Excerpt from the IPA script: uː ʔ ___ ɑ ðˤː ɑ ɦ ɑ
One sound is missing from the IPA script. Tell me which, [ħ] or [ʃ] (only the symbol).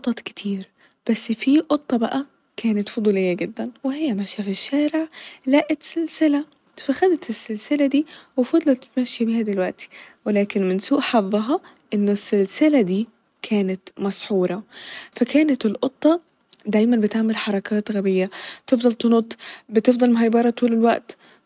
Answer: ħ